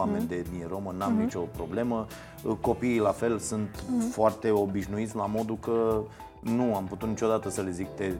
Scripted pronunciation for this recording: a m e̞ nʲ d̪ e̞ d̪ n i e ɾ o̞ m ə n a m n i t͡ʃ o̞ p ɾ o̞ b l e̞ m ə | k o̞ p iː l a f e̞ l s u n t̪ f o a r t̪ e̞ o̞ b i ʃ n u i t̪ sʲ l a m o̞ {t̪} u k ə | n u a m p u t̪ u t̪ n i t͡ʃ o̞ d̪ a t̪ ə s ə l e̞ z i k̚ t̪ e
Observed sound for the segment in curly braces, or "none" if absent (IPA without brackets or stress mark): d̪